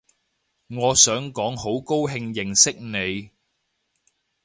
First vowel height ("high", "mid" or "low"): mid